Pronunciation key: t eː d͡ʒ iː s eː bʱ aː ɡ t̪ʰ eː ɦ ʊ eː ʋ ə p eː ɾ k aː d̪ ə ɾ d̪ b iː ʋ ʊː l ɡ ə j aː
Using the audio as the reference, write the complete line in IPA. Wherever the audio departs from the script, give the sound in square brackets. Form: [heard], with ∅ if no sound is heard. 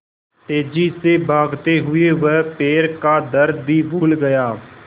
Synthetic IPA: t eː d͡ʒ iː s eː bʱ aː ɡ [t̪] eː ɦ ʊ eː ʋ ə p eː ɾ k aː d̪ ə ɾ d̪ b iː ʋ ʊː l ɡ ə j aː